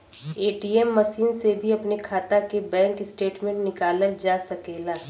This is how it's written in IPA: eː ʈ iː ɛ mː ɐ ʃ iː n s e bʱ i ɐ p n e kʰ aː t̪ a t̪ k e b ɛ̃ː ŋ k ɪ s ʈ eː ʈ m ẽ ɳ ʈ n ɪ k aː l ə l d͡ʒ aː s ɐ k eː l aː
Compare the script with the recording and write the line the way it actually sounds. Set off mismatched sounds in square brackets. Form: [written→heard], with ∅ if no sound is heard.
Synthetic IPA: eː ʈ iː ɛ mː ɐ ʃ iː n s e bʱ i ɐ p n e kʰ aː t̪ a [t̪→∅] k e b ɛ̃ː ŋ k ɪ s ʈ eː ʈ m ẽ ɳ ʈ n ɪ k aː l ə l d͡ʒ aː s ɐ k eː l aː